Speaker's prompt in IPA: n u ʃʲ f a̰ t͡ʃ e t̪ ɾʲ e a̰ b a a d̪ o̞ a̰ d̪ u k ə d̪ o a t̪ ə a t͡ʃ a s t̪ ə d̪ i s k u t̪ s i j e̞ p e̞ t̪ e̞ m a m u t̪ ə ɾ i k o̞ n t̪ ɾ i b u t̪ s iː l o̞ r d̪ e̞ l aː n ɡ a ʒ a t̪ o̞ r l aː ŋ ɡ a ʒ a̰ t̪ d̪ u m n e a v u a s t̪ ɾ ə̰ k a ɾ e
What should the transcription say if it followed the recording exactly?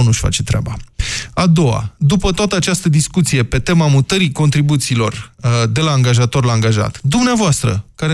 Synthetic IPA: n u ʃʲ f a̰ t͡ʃ e t̪ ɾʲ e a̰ b a a d̪ o̞ a̰ d̪ u p ə t̪ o a t̪ ə a t͡ʃ a s t̪ ə d̪ i s k u t̪ s i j e̞ p e̞ t̪ e̞ m a m u t̪ ə ɾ i k o̞ n t̪ ɾ i b u t̪ s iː l o̞ r d̪ e̞ l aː ŋ ɡ a ʒ a t̪ o̞ r l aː ŋ ɡ a ʒ a̰ t̪ d̪ u m n e a v o a s t̪ ɾ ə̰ k a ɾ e